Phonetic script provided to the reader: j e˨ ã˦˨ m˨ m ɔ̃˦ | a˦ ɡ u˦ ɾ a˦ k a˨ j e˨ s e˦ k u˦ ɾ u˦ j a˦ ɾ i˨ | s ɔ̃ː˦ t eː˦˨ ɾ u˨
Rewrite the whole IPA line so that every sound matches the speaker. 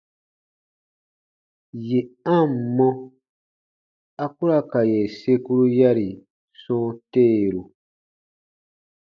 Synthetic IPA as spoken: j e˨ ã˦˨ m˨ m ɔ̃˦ | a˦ k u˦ ɾ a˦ k a˨ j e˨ s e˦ k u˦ ɾ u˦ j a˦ ɾ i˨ | s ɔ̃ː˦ t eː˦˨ ɾ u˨